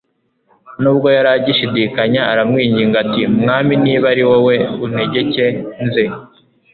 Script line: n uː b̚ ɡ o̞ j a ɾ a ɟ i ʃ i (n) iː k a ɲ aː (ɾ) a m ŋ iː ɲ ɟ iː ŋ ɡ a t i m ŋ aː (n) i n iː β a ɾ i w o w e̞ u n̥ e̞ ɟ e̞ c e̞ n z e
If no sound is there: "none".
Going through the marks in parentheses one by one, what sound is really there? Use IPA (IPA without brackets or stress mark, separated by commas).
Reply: d, ɾ, m